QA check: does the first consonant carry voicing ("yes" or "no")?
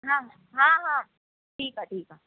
yes